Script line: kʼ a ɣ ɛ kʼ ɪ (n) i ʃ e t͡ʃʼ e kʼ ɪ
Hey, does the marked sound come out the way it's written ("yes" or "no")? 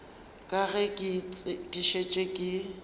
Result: no